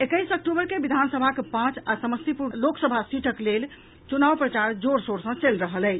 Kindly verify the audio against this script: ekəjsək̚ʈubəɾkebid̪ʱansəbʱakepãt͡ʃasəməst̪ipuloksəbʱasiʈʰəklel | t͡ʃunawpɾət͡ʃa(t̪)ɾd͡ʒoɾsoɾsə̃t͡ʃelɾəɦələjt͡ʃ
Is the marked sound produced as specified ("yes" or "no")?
no